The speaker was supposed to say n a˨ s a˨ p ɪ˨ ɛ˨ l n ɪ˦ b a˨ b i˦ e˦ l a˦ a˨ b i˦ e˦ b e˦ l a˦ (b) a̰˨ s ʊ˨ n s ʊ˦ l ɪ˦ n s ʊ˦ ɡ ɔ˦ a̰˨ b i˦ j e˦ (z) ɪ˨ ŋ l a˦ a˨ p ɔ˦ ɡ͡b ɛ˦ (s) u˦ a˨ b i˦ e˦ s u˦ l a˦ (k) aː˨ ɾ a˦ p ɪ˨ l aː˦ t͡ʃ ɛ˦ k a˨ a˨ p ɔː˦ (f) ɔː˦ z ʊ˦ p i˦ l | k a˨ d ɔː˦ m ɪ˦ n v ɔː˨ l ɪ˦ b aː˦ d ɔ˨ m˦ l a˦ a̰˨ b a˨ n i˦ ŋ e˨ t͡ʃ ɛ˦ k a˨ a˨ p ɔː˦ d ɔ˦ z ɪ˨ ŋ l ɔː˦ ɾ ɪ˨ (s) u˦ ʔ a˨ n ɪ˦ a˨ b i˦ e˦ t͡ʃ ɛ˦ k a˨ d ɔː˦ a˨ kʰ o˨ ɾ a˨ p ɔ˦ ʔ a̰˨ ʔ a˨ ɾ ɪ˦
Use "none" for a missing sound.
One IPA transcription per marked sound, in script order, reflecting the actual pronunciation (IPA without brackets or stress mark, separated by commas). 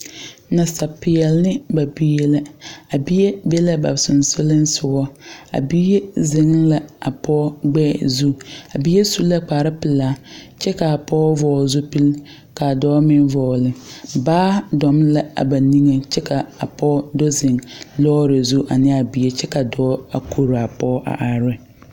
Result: b, z, z, k͡p, v, z